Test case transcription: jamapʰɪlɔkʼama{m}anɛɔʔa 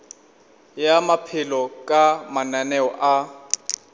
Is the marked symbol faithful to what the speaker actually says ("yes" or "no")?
no